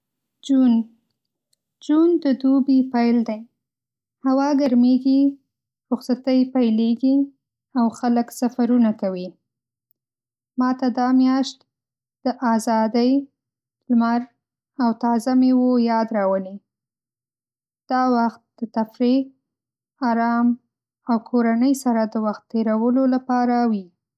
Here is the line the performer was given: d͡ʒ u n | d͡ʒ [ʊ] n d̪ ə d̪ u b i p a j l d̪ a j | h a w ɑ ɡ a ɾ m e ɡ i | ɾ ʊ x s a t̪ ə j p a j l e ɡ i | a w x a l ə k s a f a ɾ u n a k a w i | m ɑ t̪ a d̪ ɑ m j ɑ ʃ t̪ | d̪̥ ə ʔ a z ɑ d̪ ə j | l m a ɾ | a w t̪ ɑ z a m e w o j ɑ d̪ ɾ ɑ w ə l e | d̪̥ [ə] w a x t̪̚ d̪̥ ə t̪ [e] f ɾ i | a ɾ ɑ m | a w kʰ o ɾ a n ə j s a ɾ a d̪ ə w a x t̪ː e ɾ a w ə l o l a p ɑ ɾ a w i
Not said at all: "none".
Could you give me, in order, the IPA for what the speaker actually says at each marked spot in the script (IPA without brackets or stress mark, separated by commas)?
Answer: u, ɑ, a